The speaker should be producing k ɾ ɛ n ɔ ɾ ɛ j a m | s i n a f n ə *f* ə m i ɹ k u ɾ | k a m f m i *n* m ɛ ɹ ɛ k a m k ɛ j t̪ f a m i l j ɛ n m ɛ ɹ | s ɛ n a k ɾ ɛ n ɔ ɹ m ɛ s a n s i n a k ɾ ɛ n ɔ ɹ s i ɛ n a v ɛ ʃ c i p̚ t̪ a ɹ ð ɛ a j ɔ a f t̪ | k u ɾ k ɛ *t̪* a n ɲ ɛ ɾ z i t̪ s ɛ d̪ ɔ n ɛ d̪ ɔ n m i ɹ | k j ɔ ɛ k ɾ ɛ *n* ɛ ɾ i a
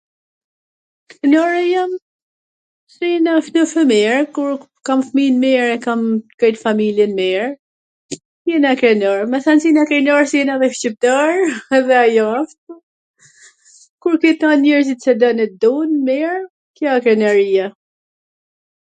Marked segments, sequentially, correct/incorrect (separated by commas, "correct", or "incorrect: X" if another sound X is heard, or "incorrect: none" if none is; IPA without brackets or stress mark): correct, correct, correct, correct